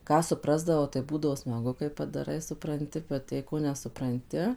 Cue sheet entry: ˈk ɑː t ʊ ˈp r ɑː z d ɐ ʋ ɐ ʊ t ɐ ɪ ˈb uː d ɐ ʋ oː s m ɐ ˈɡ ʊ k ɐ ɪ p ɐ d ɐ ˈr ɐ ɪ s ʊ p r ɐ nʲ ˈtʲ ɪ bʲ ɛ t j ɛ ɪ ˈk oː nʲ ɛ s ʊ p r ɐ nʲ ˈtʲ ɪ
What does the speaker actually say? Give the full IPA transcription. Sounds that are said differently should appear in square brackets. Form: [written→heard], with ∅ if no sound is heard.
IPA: ˈk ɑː [t→s] ʊ ˈp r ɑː z d ɐ ʋ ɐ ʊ t ɐ ɪ ˈb uː d ɐ ʋ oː s m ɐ ˈɡ ʊ k ɐ ɪ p ɐ d ɐ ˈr ɐ ɪ s ʊ p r ɐ nʲ ˈtʲ ɪ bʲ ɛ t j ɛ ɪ ˈk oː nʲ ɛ s ʊ p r ɐ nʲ ˈtʲ ɪ